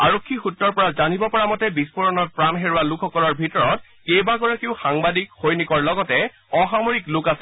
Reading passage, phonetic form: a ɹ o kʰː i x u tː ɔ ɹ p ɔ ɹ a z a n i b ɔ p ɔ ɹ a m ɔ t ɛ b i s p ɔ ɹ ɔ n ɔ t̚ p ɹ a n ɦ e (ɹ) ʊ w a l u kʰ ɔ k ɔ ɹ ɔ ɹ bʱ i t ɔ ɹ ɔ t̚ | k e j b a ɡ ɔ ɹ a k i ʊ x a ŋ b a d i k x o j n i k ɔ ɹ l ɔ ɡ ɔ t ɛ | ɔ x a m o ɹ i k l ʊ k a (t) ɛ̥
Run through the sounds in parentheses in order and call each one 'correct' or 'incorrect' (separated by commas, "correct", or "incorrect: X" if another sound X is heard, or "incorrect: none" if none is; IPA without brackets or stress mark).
correct, incorrect: s